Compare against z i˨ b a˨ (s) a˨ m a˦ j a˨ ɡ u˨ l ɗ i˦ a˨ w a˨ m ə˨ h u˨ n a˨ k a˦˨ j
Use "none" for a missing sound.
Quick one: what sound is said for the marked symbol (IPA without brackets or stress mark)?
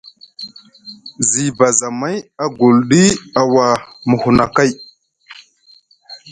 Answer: z